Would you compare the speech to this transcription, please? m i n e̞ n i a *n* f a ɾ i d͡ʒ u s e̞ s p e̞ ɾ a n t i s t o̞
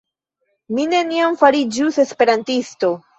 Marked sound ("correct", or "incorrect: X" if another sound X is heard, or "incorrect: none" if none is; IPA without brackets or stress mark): incorrect: m